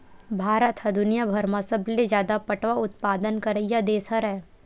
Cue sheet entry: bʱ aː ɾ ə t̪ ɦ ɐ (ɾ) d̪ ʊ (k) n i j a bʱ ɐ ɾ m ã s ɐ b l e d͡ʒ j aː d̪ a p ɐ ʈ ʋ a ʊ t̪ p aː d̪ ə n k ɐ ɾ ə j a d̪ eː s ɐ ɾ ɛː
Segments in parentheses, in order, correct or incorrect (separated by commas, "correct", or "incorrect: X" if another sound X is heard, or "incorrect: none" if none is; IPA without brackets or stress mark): incorrect: none, incorrect: none